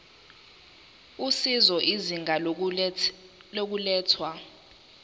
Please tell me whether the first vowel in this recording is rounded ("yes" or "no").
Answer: yes